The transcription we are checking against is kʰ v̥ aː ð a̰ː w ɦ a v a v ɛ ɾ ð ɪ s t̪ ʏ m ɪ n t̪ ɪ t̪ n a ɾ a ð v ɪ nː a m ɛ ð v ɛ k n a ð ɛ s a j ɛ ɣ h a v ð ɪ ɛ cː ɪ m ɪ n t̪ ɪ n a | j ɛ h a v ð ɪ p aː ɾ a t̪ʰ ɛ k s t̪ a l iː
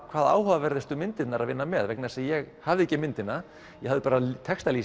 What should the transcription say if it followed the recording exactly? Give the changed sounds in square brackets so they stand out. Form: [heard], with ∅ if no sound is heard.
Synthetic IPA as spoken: kʰ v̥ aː ð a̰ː w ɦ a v a v ɛ ɾ ð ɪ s t̪ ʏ m ɪ n t̪ ɪ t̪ n a ɾ a ð v ɪ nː a m ɛ ð v ɛ k n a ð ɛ s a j ɛ ɣ h a v ð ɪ ɛ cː ɪ m ɪ n t̪ ɪ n a | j ɛ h a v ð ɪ p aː ɾ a t̪ʰ ɛ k s t̪ a l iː